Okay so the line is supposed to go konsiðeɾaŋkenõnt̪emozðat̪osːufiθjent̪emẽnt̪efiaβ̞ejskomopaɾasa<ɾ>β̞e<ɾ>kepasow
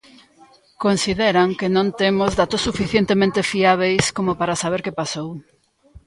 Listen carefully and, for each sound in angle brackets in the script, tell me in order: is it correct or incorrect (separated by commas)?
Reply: incorrect, correct